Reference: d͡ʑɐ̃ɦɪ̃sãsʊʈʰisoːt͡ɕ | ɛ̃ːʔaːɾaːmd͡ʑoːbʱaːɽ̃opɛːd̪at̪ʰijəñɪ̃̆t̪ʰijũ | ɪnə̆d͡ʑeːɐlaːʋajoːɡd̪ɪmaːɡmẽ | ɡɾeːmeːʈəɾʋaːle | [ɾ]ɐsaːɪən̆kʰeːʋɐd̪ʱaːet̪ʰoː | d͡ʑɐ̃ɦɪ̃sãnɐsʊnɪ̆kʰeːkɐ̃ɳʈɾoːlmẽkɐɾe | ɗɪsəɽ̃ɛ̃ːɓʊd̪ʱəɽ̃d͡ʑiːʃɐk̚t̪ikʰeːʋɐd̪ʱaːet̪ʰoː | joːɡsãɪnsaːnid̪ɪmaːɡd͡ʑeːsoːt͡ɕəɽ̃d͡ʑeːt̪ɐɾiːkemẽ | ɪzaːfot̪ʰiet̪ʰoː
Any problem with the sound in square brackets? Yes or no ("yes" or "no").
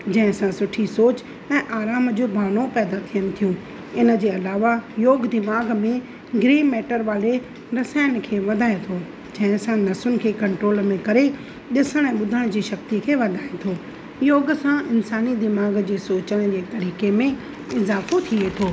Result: no